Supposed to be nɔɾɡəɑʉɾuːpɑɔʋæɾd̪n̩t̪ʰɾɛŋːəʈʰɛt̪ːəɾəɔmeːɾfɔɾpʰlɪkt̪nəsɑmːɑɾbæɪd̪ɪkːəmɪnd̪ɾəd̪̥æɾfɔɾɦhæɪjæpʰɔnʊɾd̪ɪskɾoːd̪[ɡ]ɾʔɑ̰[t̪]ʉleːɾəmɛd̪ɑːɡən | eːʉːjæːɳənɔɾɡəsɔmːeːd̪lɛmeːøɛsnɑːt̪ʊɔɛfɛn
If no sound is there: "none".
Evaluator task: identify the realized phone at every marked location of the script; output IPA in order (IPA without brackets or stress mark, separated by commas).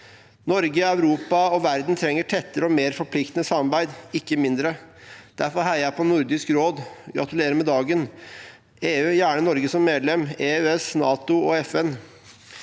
ɡ, t̪